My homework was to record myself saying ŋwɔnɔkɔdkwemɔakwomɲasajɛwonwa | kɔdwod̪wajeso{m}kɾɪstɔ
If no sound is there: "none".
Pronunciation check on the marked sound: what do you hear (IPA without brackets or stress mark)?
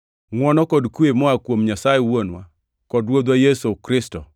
none